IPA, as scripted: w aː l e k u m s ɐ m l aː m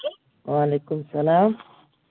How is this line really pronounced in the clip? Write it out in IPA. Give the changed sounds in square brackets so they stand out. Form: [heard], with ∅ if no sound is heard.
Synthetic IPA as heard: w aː l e k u m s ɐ [∅] l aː m